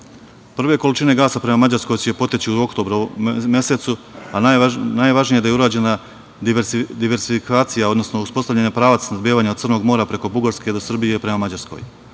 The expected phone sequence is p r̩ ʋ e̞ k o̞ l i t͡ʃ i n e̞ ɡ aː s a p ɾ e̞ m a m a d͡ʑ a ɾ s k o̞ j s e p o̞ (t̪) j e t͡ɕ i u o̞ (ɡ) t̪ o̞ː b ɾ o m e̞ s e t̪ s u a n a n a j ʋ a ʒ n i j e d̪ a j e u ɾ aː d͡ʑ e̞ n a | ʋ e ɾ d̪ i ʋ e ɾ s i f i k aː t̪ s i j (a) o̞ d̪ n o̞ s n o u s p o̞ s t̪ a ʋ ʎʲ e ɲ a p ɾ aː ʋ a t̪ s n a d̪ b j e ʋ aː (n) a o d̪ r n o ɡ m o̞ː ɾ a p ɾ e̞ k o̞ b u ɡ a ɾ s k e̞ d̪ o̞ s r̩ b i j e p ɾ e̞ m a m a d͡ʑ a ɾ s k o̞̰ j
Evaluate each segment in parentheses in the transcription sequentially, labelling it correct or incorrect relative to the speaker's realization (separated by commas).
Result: correct, incorrect, correct, incorrect